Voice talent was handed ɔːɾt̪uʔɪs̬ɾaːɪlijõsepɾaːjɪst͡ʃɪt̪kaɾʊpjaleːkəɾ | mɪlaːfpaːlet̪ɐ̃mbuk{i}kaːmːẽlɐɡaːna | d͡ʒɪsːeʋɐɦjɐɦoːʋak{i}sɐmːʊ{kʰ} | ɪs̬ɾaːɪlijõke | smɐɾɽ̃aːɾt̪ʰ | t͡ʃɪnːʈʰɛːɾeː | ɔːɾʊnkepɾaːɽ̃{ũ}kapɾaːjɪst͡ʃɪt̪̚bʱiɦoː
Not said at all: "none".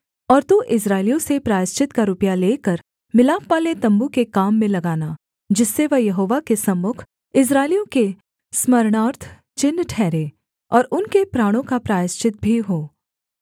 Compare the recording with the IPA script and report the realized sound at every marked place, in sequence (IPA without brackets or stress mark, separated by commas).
e, e, kʰ, õ